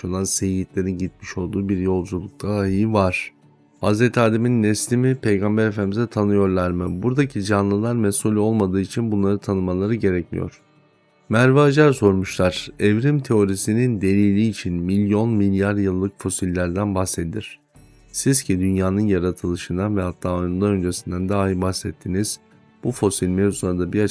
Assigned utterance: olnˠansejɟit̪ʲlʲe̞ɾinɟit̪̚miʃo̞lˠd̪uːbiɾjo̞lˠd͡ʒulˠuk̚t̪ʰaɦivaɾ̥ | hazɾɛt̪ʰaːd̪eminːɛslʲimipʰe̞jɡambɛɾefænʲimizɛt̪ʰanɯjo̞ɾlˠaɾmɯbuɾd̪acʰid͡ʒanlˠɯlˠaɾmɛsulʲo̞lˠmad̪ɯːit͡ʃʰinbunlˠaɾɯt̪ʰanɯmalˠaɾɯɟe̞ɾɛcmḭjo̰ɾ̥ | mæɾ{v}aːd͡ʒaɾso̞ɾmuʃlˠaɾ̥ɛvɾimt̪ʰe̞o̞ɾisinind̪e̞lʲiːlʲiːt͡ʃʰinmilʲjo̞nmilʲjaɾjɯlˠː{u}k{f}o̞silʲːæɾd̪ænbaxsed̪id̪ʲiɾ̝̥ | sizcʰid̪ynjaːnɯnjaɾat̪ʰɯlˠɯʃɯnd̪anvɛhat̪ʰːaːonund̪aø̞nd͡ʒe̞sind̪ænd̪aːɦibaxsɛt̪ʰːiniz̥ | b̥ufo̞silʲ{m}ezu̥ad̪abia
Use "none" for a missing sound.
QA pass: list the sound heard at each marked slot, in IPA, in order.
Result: v, ɯ, f, m

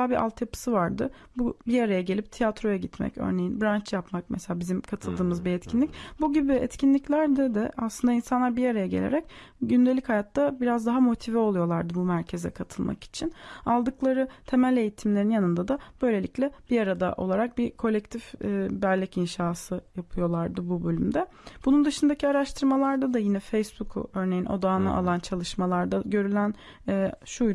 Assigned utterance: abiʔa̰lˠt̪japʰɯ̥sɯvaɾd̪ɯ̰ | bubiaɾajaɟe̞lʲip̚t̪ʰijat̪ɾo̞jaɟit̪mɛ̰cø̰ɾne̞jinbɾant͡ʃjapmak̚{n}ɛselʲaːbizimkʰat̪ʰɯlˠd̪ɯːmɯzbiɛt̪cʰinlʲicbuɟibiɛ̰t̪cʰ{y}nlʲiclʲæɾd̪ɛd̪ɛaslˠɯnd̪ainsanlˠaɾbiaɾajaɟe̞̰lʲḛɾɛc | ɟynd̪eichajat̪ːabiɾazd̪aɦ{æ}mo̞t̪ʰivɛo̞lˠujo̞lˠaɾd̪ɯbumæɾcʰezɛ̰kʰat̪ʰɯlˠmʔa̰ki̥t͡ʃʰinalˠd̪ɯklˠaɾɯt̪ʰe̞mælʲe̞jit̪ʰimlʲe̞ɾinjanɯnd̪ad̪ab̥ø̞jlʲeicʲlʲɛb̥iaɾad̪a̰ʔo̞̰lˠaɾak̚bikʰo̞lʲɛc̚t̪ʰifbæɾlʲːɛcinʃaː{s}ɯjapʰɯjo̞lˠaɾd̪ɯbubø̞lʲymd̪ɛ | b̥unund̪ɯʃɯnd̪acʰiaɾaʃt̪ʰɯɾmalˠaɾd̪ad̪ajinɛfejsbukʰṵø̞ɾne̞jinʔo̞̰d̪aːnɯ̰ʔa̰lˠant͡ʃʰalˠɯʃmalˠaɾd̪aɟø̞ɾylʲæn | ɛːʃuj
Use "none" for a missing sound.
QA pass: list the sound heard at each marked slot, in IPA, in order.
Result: m, i, a, s

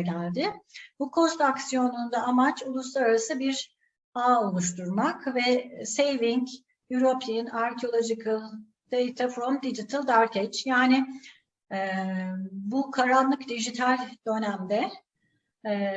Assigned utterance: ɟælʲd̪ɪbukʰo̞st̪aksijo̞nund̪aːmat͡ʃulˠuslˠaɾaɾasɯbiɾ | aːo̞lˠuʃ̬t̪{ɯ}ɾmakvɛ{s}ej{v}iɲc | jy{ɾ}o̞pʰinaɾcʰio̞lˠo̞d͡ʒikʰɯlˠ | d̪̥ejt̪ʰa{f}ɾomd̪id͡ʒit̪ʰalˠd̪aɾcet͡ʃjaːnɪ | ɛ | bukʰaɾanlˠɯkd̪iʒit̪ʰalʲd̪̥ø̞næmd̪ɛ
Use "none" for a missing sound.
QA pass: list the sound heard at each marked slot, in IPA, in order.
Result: u, s, v, ɾ, f

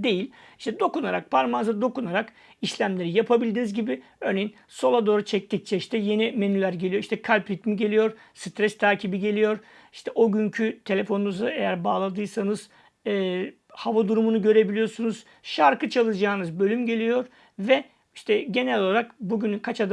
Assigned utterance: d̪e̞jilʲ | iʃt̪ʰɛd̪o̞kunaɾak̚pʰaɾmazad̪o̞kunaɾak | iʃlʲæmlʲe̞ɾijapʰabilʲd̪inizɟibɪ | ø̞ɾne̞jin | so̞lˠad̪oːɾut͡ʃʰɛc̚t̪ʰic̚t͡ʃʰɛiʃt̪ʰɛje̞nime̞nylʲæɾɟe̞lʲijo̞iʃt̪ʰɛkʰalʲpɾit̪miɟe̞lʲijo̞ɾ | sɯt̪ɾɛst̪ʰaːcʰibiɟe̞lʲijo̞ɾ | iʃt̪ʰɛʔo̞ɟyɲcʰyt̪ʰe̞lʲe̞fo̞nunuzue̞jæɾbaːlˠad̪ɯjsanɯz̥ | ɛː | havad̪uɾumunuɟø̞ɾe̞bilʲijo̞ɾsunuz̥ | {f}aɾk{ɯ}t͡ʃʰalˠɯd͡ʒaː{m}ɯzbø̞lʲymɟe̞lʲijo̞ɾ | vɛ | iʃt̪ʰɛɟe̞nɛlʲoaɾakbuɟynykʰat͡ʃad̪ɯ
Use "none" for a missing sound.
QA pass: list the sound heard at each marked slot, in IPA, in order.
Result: ʃ, ɯ, n

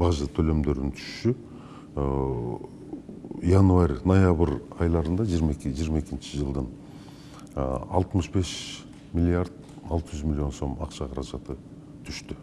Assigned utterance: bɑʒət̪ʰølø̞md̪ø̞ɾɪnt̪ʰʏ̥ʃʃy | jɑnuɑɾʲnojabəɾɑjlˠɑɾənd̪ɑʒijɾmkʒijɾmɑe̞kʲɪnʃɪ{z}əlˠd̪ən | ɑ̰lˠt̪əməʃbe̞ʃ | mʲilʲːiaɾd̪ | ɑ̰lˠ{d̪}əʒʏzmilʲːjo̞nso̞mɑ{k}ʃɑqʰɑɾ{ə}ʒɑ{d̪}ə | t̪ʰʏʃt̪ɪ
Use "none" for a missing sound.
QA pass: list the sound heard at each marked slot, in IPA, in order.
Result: ʒ, t̪, q, ɑ, t̪

